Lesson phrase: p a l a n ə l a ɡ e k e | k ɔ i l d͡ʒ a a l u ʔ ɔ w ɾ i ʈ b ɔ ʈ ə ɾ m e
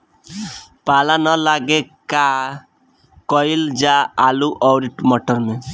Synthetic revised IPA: p a l a n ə l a ɡ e k a | k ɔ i l d͡ʒ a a l u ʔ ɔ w ɾ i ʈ m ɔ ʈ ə ɾ m e